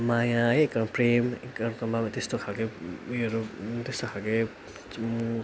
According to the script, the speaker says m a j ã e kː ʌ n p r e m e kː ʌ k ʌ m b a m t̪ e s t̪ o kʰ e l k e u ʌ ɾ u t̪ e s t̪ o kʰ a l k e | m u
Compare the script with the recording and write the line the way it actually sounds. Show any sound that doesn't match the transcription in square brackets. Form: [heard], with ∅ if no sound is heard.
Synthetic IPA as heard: m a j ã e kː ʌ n p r e m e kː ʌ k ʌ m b a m t̪ e s t̪ o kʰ [a] l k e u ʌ ɾ u t̪ e s t̪ o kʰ a l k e | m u